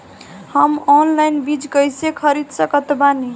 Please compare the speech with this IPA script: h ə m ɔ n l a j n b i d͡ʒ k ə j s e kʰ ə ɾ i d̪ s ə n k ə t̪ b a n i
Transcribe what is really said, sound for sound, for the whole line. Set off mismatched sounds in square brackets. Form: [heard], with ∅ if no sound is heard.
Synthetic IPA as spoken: h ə m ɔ n l a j n b i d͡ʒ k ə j s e kʰ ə ɾ i d̪ s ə [∅] k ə t̪ b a n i